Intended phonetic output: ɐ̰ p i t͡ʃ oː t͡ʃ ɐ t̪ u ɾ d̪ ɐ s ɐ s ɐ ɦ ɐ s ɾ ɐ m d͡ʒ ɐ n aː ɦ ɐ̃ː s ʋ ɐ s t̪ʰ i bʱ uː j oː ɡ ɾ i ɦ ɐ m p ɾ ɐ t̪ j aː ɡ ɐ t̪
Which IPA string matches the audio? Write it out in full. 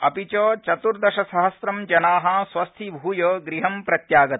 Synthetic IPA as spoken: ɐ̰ p i t͡ʃ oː t͡ʃ ɐ t̪ u ɾ d̪ ɐ ʃ ɐ s ɐ ɦ ɐ s ɾ ɐ m d͡ʒ ɐ n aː ɦ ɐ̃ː s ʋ ɐ s t̪ʰ i bʱ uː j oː ɡ ɾ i ɦ ɐ m p ɾ ɐ t̪ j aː ɡ ɐ t̪